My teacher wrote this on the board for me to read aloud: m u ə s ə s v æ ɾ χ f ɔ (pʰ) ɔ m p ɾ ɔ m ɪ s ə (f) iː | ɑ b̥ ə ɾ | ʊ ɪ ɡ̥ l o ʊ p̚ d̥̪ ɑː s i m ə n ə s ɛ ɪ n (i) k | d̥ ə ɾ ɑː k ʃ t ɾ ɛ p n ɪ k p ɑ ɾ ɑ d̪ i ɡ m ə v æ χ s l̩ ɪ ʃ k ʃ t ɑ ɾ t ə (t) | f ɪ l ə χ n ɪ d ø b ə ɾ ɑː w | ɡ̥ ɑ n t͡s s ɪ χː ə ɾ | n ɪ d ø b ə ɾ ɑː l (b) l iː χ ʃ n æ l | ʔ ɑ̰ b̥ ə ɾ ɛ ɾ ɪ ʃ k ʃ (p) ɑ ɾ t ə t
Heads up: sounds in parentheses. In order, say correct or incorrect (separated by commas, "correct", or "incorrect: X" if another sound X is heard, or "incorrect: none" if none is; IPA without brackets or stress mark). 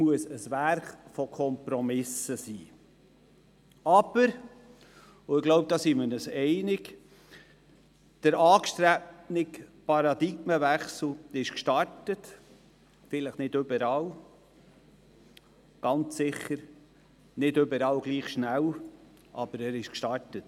incorrect: kʰ, incorrect: s, incorrect: ɪ, correct, incorrect: ɡ, incorrect: t